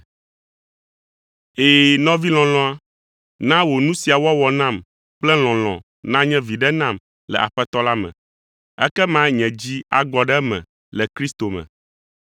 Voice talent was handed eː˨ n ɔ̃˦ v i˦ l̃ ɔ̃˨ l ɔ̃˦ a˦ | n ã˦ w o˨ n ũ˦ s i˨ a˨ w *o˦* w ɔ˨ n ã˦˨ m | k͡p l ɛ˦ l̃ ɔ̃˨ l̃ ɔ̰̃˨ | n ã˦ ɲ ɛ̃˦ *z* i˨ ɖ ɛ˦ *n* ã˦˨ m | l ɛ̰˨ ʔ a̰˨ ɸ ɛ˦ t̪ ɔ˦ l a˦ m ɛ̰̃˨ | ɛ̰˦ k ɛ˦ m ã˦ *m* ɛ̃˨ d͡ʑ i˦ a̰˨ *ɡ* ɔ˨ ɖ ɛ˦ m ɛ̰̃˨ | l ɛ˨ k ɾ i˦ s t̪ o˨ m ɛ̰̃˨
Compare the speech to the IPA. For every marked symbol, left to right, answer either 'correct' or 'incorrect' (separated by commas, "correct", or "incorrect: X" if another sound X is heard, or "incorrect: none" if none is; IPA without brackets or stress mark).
incorrect: ɔ˦, incorrect: v, correct, incorrect: ɲ, correct